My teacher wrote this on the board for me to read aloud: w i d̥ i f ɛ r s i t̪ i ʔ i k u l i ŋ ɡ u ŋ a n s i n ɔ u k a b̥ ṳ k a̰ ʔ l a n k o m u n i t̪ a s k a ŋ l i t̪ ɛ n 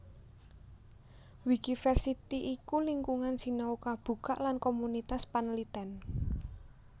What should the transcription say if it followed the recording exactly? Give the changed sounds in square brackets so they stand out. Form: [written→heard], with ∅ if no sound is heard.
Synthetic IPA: w i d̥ i f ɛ r s i t̪ i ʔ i k u l i ŋ [ɡ→k] u ŋ a n s i n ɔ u k a b̥ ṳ k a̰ ʔ l a n k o m u n i t̪ a s [k→p] a [ŋ→n] l i t̪ ɛ n